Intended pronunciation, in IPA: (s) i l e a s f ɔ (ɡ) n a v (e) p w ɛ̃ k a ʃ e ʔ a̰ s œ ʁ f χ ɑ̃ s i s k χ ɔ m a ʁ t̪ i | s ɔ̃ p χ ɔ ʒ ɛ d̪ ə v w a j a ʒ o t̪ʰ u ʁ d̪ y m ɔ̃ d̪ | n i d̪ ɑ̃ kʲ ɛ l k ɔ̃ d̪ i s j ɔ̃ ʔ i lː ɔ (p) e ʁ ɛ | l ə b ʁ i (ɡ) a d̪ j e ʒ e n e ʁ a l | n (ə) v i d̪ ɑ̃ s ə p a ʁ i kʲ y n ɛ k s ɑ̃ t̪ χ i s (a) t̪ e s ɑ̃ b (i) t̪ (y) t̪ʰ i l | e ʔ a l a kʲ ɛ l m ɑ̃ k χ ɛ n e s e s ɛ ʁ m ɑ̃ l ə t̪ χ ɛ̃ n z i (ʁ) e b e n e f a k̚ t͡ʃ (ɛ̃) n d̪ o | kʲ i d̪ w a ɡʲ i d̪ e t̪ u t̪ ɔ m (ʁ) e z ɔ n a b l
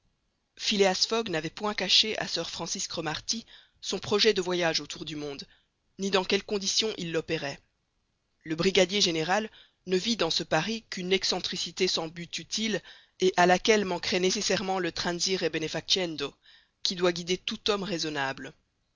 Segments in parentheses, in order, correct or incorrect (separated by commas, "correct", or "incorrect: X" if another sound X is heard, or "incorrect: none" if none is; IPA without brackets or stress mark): incorrect: f, correct, incorrect: ɛ, correct, correct, correct, incorrect: i, incorrect: y, correct, correct, incorrect: ɛ, correct